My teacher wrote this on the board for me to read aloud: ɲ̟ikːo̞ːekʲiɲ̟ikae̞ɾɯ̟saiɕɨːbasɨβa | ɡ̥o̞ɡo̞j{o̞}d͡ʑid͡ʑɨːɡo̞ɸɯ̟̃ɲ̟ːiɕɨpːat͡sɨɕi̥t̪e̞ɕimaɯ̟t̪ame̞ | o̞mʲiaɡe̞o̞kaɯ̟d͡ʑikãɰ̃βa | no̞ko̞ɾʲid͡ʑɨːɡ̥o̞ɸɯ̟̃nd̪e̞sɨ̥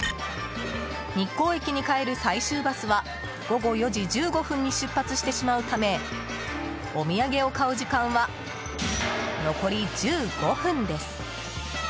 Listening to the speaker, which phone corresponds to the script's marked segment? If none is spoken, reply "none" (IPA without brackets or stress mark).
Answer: o̞